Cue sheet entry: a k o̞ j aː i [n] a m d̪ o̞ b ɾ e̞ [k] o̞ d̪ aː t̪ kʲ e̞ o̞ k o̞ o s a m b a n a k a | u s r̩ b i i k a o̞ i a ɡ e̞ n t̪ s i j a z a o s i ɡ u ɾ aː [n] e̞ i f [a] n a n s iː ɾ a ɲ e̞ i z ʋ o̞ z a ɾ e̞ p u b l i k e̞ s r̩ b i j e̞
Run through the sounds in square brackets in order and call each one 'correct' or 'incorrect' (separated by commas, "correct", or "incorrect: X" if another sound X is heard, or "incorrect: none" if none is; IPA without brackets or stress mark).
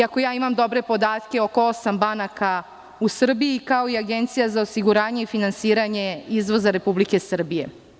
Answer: incorrect: m, incorrect: p, incorrect: ɲ, incorrect: i